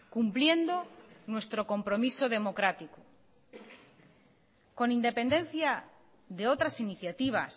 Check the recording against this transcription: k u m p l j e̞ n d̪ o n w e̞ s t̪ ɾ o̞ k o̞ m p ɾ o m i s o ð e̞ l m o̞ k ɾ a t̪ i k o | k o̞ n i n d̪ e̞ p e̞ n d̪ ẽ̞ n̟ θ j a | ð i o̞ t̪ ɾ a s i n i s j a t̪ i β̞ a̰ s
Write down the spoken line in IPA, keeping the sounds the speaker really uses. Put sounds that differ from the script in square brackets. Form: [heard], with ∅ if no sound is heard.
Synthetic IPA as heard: k u m p l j e̞ n d̪ o n w e̞ s t̪ ɾ o̞ k o̞ m p ɾ o m i s o ð e̞ [∅] m o̞ k ɾ a t̪ i k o | k o̞ n i n d̪ e̞ p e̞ n d̪ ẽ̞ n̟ θ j a | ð [e] o̞ t̪ ɾ a s i n i [θ] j a t̪ i β̞ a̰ s

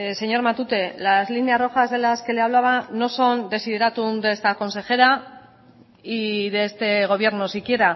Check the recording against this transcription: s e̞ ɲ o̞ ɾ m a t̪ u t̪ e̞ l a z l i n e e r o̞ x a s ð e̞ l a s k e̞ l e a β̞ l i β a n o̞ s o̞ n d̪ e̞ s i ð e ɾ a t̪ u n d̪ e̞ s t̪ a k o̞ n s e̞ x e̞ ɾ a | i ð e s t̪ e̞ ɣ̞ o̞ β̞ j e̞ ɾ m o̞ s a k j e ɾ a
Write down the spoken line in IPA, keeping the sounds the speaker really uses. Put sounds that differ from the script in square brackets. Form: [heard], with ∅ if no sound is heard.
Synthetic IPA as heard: s e̞ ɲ o̞ ɾ m a t̪ u t̪ e̞ l a z l i n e [a] r o̞ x a [z] ð e̞ l a s k e̞ l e a β̞ l [a] β a n o̞ s o̞ n d̪ e̞ s i ð e ɾ a t̪ u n d̪ e̞ s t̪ a k o̞ n s e̞ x e̞ ɾ a | i ð e s t̪ e̞ ɣ̞ o̞ β̞ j e̞ ɾ [n] o̞ s [i] k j e ɾ a

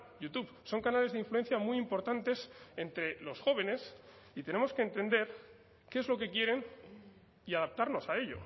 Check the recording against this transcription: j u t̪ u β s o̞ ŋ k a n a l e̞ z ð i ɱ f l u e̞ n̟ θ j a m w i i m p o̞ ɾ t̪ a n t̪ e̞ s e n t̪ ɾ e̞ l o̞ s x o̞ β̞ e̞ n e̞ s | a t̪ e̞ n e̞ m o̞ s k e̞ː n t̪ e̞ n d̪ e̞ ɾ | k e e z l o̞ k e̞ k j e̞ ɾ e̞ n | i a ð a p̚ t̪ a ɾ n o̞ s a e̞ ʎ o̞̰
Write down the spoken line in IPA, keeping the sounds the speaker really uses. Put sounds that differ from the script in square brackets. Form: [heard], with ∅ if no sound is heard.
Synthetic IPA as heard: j u t̪ u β s o̞ ŋ k a n a l e̞ z ð i ɱ f l u e̞ n̟ θ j a m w i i m p o̞ ɾ t̪ a n t̪ e̞ s e n t̪ ɾ e̞ l o̞ s x o̞ β̞ e̞ n e̞ s | [i] t̪ e̞ n e̞ m o̞ s k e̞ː n t̪ e̞ n d̪ e̞ ɾ | k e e z l o̞ k e̞ k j e̞ ɾ e̞ n | i a ð a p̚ t̪ a ɾ n o̞ s a e̞ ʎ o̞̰

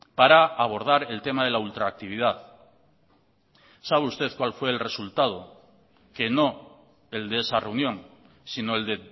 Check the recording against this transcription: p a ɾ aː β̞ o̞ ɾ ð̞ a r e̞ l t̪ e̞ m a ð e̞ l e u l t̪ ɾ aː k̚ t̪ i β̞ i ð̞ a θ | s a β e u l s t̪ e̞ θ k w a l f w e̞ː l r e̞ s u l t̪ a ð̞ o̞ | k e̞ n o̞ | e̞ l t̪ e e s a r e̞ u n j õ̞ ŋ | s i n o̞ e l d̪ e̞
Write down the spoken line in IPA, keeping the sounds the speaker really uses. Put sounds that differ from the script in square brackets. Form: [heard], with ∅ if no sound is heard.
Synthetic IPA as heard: p a ɾ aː β̞ o̞ ɾ ð̞ a [ɾ] e̞ l t̪ e̞ m a ð e̞ l [a] u l t̪ ɾ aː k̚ t̪ i β̞ i ð̞ a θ | s a β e u [∅] s t̪ e̞ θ k w a l f w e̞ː l r e̞ s u l t̪ a ð̞ o̞ | k e̞ n o̞ | e̞ l [d̪] e e s a r e̞ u n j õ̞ ŋ | s i n o̞ e l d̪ e̞

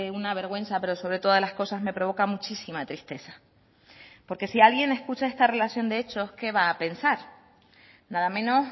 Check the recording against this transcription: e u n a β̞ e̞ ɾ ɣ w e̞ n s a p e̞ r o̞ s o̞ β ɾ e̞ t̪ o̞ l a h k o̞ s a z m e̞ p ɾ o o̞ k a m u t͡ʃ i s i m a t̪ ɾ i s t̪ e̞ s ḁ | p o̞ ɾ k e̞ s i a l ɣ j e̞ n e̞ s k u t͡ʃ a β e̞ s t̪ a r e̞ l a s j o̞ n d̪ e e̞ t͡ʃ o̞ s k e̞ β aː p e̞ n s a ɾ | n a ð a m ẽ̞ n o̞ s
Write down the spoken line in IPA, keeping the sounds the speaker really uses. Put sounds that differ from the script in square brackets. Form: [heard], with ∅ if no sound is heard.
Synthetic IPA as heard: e u n a β̞ e̞ ɾ ɣ w e̞ n s a p e̞ [ɾ] o̞ s o̞ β ɾ e̞ t̪ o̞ l a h k o̞ s a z m e̞ p ɾ o o̞ k a m u t͡ʃ i s i m a t̪ ɾ i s t̪ e̞ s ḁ | p o̞ ɾ k e̞ s i a l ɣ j e̞ n e̞ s k u t͡ʃ a [∅] e̞ s t̪ a r e̞ l a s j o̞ n d̪ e e̞ t͡ʃ o̞ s k e̞ β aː p e̞ n s a ɾ | n a ð a m ẽ̞ n o̞ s

